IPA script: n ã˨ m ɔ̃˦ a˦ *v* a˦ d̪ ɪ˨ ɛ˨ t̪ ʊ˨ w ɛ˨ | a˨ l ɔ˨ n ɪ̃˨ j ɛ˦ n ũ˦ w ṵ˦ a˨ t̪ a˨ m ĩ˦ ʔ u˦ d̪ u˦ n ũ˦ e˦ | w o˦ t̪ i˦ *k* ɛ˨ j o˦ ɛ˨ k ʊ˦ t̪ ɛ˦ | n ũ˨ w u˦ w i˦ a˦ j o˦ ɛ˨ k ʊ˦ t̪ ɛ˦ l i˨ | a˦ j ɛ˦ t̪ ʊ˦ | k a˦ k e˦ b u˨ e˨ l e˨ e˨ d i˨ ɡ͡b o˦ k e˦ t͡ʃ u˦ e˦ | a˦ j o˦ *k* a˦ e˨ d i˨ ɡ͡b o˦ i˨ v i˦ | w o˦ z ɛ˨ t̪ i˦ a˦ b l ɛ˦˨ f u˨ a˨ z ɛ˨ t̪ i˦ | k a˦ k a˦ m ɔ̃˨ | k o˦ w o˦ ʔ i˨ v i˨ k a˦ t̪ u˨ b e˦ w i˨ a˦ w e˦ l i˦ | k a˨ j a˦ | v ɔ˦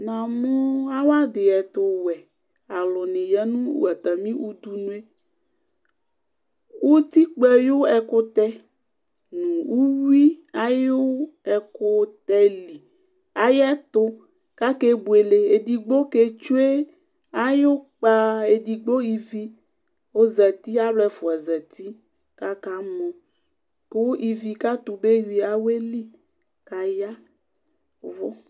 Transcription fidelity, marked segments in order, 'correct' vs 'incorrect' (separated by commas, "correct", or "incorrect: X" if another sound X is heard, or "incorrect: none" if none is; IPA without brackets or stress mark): incorrect: w, incorrect: k͡p, incorrect: k͡p